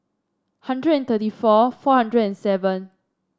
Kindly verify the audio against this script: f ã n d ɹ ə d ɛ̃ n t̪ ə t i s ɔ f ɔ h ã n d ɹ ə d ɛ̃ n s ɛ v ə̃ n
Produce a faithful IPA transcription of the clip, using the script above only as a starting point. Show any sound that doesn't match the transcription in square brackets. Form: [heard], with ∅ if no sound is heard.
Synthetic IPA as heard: [h] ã n d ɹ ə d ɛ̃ n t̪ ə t i [f] ɔ f ɔ h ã n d ɹ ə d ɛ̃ n s ɛ v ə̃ n